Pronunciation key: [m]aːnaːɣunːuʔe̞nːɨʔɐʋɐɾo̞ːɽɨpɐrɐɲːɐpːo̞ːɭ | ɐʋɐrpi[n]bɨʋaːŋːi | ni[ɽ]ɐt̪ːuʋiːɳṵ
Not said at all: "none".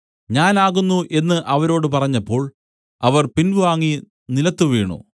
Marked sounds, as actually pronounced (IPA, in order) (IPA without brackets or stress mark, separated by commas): ɲ, n, l